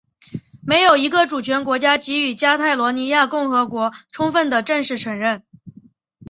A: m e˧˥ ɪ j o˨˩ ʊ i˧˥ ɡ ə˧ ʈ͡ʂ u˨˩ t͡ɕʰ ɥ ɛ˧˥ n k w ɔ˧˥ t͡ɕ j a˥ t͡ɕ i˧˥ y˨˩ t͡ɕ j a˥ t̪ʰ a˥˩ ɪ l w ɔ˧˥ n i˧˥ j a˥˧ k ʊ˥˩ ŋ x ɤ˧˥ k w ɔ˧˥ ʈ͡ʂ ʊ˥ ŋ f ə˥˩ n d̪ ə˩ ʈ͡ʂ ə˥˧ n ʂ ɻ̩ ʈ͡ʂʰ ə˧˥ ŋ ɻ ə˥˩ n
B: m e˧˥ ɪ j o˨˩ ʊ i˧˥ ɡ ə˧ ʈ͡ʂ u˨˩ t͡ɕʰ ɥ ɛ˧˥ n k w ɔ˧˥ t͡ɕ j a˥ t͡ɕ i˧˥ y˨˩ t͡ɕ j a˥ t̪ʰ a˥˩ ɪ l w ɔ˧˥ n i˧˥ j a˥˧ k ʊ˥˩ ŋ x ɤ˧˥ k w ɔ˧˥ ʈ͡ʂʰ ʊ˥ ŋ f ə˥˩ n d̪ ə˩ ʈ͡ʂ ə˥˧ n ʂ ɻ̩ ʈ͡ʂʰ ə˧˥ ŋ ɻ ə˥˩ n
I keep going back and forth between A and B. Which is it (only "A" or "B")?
B